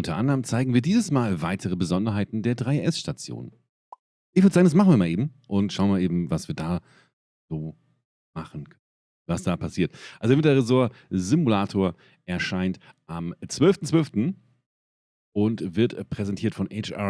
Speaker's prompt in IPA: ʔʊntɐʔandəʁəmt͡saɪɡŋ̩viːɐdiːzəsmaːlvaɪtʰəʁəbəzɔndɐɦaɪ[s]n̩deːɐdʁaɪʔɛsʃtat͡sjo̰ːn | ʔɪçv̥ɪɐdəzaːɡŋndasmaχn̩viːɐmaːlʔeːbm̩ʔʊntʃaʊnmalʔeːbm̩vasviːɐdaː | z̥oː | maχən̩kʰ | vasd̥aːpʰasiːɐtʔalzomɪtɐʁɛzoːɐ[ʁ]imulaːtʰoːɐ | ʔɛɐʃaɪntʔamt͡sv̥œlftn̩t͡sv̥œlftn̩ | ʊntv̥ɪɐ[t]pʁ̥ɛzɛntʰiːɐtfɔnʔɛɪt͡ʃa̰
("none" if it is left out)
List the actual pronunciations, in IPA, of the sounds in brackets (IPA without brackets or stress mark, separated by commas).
t, z, t